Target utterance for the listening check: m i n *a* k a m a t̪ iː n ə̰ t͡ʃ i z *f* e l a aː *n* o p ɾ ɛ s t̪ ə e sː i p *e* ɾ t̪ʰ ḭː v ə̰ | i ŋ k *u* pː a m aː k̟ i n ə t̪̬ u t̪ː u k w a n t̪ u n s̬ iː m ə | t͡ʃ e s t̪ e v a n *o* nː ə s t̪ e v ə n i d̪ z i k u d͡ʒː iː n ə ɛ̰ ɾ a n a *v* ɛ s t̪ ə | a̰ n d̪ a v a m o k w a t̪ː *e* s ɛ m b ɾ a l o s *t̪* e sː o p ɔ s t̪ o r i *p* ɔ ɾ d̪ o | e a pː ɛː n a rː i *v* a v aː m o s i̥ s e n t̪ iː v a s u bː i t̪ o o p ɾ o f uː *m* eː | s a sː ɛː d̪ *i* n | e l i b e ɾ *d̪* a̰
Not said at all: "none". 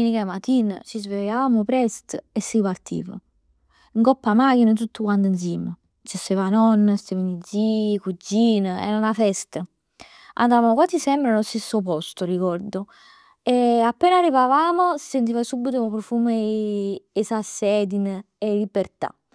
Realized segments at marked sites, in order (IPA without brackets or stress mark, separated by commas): i, v, m, a, ɔ, ɔ, f, i, t̪, k, v, m, i, t̪